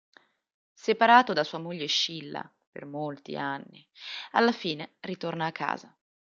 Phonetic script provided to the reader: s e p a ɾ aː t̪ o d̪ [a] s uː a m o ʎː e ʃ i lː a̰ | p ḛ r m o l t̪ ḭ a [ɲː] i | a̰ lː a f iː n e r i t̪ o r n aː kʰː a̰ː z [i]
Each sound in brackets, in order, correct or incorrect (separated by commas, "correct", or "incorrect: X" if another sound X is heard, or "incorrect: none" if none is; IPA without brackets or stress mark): correct, incorrect: nː, incorrect: a